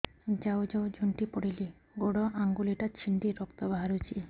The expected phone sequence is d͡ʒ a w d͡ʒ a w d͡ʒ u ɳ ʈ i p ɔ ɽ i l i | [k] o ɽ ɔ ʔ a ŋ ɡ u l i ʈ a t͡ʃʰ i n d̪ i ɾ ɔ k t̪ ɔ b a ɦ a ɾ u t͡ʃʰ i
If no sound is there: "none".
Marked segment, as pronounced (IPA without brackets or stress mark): ɡ